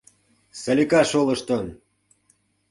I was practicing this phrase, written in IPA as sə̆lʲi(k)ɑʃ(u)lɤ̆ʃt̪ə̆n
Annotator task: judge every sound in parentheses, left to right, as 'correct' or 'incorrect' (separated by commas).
correct, incorrect